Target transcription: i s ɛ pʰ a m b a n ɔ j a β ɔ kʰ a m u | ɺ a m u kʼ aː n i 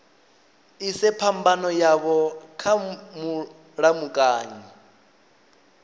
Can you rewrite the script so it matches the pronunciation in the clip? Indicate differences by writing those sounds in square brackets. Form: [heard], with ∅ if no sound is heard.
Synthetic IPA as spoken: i s ɛ pʰ a m b a n ɔ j a β ɔ kʰ a m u | ɺ a m u kʼ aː [ɲ] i